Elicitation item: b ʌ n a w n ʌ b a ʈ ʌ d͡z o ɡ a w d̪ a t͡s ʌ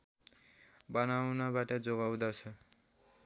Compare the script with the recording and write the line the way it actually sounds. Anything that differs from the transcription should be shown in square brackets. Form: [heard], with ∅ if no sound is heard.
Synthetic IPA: b ʌ n a w n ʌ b a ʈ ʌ d͡z o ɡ a w d̪ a [t͡sʰ] ʌ